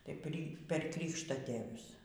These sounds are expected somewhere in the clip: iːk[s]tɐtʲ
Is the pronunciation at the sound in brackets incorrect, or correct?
incorrect